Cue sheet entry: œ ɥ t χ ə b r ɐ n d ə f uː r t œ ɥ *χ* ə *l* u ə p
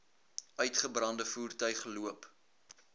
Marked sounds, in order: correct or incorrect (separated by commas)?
correct, correct